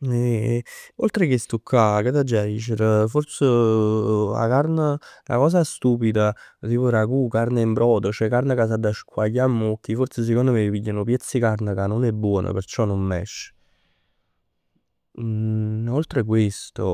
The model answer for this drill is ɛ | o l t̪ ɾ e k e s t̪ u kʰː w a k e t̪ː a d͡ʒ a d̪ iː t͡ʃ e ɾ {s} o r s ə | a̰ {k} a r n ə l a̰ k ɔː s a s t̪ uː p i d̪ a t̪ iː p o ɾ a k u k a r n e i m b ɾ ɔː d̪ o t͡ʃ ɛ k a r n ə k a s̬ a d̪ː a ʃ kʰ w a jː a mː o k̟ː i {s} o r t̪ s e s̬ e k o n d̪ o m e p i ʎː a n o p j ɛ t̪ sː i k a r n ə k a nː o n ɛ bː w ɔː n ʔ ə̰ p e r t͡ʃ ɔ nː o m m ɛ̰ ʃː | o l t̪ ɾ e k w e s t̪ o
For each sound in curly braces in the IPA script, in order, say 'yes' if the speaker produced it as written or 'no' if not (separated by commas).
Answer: no, yes, no